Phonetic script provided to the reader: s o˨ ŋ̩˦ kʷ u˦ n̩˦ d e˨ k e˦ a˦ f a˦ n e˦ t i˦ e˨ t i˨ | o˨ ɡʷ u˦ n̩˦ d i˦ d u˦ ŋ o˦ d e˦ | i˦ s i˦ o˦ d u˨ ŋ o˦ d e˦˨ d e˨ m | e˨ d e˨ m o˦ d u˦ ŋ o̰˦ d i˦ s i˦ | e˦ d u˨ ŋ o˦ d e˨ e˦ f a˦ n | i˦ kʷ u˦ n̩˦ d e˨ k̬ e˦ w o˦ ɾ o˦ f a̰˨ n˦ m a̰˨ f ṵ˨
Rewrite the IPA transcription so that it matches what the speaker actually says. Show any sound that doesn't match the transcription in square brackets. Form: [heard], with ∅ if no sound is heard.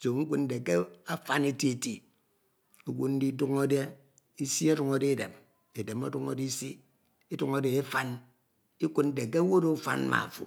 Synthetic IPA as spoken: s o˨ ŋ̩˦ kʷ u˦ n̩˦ d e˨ k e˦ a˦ f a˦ n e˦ t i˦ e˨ t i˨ | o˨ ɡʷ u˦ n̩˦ d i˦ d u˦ ŋ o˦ d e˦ | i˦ s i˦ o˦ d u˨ ŋ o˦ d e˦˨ d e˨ m | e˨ d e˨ m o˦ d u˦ ŋ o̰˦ d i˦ s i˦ | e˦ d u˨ ŋ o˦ d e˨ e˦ f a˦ n | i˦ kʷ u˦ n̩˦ d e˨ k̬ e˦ w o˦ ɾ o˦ f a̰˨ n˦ m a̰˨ f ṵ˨

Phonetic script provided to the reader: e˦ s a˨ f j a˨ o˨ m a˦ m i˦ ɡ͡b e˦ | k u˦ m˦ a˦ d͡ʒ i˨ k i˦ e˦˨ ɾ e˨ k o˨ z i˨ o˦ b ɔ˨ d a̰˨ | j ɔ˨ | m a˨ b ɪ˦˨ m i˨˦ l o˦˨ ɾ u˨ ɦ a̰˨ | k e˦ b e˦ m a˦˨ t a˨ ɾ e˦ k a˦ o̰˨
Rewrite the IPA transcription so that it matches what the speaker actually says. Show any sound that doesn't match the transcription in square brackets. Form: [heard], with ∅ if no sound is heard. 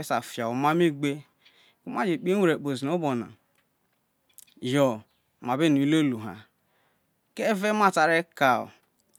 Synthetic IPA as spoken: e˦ s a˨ f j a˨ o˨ m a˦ m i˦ ɡ͡b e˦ | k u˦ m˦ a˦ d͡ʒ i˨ [k͡p] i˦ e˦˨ ɾ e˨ [k͡p] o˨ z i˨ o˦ b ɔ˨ [n] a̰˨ | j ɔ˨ | m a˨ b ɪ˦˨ [n] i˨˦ l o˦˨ [l] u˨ ɦ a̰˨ | k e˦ [v] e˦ m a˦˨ t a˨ ɾ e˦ k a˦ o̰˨

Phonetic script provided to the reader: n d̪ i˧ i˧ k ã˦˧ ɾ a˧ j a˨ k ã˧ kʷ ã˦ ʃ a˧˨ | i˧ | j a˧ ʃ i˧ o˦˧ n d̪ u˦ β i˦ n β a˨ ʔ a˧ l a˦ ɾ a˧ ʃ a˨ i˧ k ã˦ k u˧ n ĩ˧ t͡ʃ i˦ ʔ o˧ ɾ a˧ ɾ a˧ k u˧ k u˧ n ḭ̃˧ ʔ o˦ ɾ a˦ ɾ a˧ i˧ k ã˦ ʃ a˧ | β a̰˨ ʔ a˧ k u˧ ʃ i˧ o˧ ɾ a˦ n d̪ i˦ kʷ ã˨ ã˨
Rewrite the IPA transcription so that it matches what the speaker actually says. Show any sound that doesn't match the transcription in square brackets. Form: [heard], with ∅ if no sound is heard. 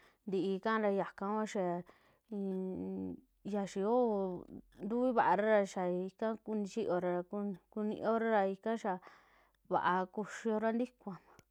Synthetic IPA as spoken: n d̪ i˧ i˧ k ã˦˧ ɾ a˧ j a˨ k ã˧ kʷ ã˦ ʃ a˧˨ | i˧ | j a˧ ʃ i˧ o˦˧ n d̪ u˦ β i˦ [∅] β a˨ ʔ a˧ [ɾ] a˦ ɾ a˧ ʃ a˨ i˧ k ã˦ k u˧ n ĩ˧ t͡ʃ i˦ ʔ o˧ ɾ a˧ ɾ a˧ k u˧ k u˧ n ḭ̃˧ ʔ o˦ ɾ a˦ ɾ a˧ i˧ k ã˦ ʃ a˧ | β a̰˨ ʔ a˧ k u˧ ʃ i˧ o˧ ɾ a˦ n d̪ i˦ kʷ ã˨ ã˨

